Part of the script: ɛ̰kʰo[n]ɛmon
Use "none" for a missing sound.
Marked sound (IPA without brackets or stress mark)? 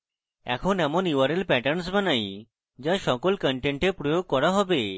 n